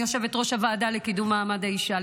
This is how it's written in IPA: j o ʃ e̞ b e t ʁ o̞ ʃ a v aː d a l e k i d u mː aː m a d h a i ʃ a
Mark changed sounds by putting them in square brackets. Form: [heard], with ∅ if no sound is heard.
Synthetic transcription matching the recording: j o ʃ e̞ [v] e t ʁ o̞ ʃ a v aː d a l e k i d u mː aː m a d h a i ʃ a